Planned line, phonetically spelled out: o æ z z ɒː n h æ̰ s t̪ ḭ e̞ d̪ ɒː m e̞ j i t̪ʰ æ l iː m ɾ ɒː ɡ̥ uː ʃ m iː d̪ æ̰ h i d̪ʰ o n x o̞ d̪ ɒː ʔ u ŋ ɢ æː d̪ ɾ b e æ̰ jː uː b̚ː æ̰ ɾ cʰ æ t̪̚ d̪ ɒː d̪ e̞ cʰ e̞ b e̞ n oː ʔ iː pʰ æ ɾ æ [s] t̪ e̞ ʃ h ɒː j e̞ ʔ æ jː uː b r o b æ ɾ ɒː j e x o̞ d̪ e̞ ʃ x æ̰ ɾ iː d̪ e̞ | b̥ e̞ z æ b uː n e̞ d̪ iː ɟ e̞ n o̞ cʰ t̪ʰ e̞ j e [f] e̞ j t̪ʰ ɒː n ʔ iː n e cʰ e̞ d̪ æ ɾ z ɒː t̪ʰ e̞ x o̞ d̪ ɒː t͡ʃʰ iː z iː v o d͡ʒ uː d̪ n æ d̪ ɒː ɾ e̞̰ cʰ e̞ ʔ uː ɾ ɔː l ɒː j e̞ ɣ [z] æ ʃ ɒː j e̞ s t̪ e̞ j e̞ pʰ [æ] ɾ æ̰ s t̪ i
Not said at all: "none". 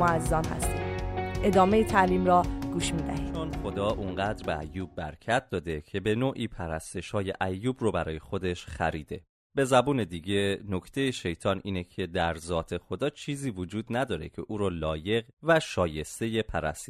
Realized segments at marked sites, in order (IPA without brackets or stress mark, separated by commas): s, ʃ, v, æ